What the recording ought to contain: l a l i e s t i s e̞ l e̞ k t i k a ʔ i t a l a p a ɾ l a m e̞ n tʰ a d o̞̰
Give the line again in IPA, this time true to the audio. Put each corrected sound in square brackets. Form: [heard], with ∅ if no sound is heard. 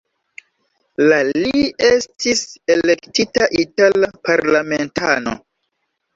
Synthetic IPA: l a l i e s t i s e̞ l e̞ k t i [t] a ʔ i t a l a p a ɾ l a m e̞ n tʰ a [n] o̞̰